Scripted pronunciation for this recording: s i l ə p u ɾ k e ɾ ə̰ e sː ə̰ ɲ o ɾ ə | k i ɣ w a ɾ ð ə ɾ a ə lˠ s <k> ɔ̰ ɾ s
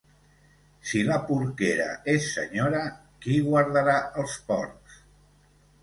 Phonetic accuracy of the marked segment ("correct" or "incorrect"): incorrect